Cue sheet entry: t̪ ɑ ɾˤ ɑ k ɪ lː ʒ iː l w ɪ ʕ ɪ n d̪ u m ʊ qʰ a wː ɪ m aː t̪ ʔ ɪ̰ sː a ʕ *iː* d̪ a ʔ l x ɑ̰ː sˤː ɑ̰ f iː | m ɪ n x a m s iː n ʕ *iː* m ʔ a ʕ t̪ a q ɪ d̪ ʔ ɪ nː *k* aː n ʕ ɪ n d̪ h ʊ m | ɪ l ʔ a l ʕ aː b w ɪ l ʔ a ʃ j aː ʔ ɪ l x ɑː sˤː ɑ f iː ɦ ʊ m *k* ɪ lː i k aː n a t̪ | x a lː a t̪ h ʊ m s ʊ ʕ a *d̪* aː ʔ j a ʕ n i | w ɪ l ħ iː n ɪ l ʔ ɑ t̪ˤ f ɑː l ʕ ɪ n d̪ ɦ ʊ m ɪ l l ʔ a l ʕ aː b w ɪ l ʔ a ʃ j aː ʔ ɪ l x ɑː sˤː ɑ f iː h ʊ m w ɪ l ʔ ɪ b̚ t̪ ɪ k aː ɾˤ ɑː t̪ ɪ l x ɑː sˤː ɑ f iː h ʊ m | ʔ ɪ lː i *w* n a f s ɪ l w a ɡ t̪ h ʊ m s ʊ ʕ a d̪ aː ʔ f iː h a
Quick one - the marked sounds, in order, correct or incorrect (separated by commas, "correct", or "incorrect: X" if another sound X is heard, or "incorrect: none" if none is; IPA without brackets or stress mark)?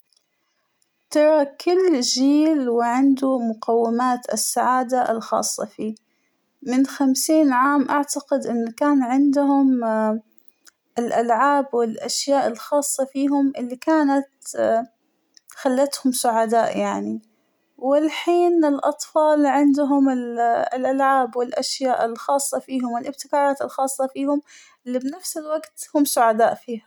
incorrect: aː, incorrect: aː, correct, incorrect: ʔ, correct, incorrect: b